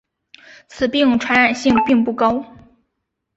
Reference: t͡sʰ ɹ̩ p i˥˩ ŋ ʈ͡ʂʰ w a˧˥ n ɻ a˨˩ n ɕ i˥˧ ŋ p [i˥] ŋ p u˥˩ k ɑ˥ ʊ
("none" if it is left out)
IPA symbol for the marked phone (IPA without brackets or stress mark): i˥˧